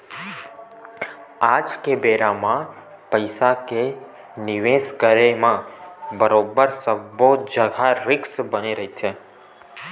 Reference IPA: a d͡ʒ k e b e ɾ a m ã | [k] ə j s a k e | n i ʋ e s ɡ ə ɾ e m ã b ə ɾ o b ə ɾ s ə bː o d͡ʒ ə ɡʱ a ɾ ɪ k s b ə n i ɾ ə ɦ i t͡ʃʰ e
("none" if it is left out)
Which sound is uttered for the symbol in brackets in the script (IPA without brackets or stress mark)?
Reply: p